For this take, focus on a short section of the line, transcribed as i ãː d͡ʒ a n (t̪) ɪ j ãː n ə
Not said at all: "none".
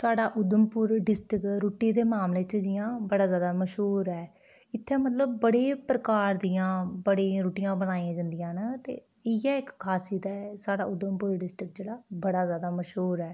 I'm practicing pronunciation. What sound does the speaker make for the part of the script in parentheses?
d̪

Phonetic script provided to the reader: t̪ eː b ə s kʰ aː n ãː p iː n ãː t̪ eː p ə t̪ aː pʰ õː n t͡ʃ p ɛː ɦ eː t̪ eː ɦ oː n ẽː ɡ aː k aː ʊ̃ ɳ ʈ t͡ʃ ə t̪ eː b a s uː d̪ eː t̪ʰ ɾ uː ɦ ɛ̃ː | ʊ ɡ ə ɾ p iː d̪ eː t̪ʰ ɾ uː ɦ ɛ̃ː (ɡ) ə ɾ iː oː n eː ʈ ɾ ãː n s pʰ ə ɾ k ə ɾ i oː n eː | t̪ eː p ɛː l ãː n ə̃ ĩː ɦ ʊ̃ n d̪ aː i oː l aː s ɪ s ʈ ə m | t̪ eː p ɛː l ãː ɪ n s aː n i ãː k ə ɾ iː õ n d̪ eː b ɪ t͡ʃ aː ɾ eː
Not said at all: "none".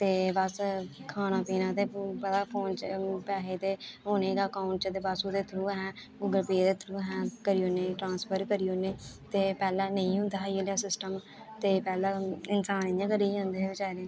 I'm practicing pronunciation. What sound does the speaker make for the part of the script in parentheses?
k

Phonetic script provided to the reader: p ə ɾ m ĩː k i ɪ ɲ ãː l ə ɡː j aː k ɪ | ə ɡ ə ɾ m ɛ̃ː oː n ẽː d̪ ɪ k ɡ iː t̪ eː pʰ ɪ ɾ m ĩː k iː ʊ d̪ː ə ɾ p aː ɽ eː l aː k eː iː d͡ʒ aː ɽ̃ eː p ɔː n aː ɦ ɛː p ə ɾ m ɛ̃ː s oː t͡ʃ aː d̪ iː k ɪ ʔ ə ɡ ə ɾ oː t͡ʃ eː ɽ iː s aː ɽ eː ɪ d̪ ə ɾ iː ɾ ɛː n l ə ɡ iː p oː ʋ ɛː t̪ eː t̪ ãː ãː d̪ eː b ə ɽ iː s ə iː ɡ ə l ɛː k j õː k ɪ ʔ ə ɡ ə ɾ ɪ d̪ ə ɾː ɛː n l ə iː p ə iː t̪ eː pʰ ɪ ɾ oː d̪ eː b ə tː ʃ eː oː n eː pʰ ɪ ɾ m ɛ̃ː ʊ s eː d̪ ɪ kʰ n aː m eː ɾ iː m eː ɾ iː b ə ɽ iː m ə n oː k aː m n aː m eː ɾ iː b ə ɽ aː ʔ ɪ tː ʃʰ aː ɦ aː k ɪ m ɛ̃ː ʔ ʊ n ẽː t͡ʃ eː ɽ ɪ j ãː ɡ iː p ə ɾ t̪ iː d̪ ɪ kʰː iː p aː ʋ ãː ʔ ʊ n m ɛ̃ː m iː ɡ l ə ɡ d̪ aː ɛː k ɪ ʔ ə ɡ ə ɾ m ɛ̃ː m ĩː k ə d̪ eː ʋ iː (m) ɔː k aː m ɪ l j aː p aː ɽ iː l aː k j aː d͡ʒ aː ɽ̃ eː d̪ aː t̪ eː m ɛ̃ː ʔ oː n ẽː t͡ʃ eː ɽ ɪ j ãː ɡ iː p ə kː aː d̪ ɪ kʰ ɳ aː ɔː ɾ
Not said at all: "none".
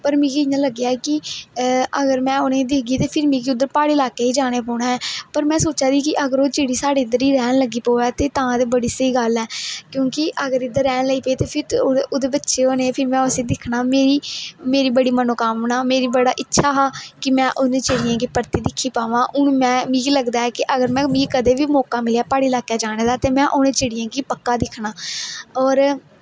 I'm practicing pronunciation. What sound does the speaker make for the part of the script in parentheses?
m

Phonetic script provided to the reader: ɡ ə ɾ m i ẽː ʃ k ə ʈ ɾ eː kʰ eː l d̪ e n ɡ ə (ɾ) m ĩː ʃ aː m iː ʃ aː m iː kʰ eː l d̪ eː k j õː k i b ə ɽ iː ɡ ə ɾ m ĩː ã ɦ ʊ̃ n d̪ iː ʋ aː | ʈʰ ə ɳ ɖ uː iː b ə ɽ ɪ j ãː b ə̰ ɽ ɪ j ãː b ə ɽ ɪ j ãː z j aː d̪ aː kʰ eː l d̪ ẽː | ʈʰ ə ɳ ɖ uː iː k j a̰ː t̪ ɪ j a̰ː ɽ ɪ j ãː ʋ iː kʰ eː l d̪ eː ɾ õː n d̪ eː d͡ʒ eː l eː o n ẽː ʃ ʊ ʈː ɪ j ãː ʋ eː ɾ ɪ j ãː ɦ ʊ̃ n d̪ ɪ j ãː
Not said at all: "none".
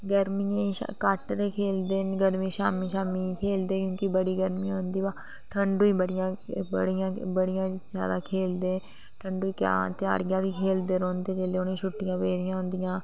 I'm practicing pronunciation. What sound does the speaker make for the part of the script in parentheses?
ɾ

